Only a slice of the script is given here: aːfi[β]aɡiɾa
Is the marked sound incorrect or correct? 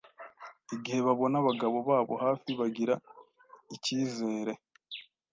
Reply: correct